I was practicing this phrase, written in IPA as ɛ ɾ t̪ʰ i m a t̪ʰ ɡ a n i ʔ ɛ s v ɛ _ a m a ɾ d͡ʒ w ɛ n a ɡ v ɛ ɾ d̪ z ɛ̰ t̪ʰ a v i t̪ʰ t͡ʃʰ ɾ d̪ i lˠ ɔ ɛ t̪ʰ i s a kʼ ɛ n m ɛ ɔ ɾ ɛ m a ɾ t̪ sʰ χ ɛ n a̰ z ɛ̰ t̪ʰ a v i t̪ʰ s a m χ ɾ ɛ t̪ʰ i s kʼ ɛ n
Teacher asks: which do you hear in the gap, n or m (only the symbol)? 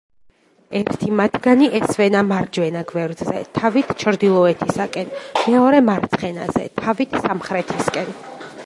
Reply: n